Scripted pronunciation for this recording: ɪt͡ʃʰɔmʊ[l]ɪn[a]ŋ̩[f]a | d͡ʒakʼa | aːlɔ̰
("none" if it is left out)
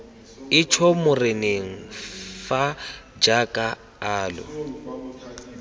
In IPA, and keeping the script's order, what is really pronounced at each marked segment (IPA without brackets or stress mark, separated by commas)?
r, e, f